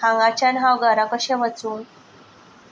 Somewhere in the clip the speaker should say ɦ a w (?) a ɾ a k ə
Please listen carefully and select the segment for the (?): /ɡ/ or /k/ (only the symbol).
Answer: ɡ